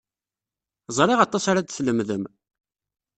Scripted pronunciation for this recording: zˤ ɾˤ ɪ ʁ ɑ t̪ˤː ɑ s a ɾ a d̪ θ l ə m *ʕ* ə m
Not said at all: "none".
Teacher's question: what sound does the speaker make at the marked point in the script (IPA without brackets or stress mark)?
ð